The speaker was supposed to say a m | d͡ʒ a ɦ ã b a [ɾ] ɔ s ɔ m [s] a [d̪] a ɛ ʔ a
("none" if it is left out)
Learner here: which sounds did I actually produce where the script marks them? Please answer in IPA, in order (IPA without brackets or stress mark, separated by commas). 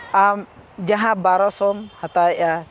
ɾ, h, t̪